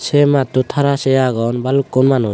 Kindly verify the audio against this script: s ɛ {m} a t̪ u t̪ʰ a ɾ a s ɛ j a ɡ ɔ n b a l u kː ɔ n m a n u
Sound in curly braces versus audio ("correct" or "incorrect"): correct